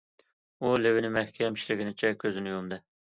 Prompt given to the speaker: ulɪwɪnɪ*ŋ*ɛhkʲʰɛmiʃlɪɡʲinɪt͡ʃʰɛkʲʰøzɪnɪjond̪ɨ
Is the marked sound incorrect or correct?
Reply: incorrect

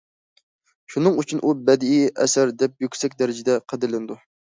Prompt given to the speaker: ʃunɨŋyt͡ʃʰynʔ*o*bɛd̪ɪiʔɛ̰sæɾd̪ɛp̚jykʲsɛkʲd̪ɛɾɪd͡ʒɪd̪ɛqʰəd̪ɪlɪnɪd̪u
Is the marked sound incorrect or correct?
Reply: incorrect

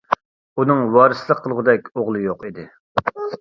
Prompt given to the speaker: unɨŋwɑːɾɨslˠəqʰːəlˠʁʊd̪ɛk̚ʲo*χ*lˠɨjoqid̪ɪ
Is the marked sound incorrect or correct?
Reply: incorrect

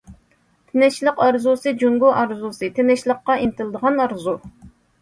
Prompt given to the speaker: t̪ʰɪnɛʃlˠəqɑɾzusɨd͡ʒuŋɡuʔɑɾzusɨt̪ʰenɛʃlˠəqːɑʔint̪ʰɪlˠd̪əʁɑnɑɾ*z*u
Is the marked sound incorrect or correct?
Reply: correct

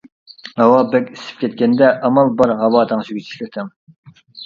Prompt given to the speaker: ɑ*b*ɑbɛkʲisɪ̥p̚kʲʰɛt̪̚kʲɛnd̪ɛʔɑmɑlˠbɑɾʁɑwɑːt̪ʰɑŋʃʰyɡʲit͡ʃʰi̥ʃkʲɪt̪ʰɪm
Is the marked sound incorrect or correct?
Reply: incorrect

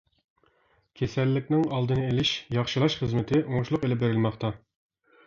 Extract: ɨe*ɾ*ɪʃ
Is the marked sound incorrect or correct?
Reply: incorrect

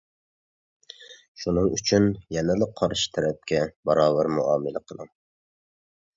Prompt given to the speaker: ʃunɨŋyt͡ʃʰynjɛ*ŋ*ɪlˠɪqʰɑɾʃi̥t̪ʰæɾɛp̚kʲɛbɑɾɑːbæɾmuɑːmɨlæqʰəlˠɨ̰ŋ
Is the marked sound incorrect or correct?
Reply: incorrect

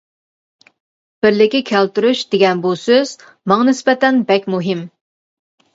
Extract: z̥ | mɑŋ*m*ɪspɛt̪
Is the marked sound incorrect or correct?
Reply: incorrect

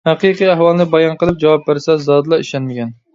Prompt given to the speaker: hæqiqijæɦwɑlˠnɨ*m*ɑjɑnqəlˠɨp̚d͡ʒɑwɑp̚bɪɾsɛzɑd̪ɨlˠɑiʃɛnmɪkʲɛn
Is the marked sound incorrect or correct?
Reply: incorrect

